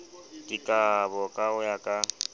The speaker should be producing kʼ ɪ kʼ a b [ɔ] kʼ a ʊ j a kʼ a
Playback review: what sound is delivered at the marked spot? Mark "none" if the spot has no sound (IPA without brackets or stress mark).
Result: ɔ